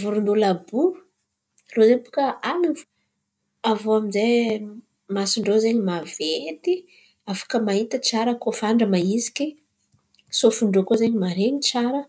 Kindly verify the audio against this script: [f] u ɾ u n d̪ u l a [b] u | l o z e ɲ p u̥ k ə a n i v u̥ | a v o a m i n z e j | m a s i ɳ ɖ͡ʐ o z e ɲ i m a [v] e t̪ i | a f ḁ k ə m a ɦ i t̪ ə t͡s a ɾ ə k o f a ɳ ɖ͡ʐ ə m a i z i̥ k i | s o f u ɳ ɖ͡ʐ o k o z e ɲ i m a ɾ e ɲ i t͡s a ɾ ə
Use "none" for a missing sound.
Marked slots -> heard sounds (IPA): v, b, v

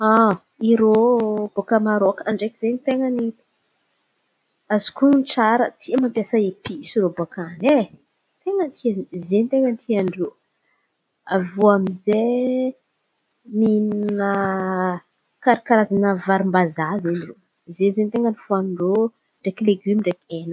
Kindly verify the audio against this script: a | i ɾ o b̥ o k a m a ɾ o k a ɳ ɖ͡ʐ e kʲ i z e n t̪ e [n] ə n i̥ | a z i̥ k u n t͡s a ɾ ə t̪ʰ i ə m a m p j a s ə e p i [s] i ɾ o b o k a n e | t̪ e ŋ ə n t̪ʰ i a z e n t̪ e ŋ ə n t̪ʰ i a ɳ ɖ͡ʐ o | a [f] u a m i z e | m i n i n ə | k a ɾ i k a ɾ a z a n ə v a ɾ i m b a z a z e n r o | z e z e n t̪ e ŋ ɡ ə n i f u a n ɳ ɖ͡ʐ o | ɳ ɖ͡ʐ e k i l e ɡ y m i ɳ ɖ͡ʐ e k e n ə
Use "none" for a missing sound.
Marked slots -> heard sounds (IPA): ŋ, s, v

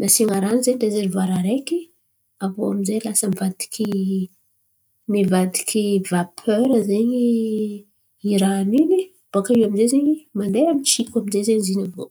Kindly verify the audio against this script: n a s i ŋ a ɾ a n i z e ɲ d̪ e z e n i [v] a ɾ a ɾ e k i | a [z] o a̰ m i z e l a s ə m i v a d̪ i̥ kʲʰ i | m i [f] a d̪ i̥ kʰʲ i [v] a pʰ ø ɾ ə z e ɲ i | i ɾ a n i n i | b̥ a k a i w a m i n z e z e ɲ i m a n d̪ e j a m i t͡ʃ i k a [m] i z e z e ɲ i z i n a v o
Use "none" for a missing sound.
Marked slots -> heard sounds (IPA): v, v, v, v, m

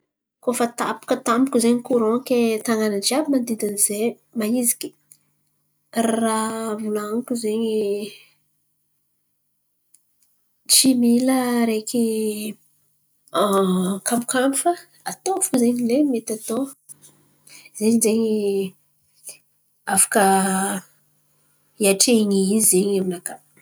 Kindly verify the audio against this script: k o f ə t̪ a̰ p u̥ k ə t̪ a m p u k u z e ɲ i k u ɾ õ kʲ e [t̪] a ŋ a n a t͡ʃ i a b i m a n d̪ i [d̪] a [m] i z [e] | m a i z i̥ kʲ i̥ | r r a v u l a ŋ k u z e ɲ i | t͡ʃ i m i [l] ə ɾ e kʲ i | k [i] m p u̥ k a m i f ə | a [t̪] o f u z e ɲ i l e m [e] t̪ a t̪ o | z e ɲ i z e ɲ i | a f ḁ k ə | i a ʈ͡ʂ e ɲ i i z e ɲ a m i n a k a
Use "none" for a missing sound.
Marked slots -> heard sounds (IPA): t̪, d̪, n, e, l, a, t̪, e

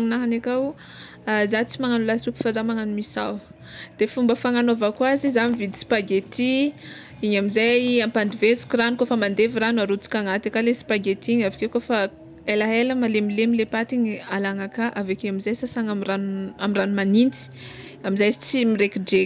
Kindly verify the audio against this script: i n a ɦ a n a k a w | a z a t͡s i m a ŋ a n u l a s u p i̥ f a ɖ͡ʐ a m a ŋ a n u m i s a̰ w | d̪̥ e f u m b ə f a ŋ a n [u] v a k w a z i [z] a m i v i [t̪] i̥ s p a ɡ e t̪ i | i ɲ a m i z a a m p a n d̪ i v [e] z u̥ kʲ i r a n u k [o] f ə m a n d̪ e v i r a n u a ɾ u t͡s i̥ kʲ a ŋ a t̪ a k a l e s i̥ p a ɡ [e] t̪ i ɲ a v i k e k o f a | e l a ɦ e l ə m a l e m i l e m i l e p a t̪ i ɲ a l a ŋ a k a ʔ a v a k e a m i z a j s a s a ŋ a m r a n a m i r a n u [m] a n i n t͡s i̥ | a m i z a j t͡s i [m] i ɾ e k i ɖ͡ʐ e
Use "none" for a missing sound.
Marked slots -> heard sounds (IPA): o, z, d̪, e, o, e, m, m

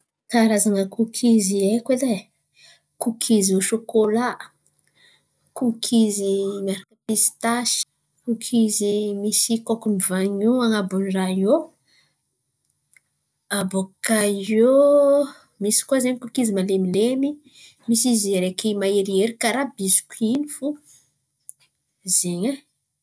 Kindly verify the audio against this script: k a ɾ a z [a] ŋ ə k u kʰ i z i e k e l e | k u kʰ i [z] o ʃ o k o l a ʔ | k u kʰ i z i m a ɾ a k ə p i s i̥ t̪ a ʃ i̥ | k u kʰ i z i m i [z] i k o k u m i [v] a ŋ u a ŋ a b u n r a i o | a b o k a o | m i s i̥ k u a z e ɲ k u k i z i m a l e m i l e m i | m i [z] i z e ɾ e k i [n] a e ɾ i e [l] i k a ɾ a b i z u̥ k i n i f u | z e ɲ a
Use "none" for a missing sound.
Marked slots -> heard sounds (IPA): a, z, s, v, s, m, ɾ

